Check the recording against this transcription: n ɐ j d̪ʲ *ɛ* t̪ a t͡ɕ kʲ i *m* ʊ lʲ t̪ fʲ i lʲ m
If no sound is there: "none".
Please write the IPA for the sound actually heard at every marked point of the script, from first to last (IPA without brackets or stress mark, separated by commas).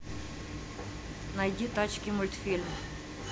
i, m